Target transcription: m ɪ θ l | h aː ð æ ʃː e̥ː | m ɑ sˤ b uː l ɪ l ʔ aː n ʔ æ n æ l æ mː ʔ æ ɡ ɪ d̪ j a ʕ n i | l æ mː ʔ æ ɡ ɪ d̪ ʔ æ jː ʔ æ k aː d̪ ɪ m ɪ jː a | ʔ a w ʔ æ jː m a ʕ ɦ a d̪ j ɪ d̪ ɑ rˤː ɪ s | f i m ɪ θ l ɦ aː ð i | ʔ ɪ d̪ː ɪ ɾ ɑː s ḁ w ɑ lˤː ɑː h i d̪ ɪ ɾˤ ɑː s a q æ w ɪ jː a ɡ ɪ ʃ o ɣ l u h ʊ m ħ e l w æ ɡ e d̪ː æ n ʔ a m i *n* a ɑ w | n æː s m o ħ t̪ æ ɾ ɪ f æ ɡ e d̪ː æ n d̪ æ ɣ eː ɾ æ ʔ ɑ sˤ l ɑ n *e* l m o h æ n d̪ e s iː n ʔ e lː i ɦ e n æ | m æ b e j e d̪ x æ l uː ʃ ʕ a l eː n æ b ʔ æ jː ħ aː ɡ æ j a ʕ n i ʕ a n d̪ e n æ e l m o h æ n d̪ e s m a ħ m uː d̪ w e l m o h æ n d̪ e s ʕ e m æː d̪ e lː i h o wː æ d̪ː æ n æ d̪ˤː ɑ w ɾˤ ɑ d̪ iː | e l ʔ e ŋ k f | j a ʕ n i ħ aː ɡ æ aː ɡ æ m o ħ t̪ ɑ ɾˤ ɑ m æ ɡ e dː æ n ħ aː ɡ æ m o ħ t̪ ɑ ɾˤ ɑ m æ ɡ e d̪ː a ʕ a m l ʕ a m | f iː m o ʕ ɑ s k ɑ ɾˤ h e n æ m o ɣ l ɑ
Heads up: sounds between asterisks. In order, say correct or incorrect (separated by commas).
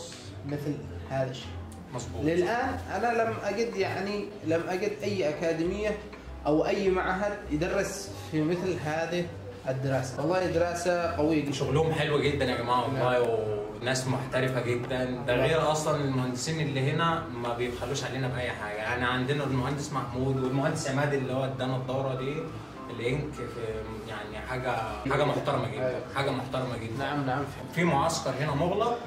incorrect, correct